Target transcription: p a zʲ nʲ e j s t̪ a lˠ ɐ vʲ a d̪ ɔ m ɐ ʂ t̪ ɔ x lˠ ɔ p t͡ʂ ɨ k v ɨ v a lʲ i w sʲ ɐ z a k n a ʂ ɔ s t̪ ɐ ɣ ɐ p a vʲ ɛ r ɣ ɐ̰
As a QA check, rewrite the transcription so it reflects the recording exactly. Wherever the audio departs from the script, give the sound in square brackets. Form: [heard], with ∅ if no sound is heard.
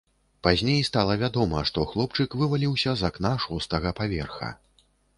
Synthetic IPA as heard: p a zʲ nʲ e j s t̪ a lˠ ɐ vʲ a d̪ ɔ m ɐ ʂ t̪ ɔ x lˠ ɔ p t͡ʂ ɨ k v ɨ v a lʲ i w sʲ ɐ z a k n a ʂ ɔ s t̪ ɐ ɣ ɐ p a vʲ ɛ r [x] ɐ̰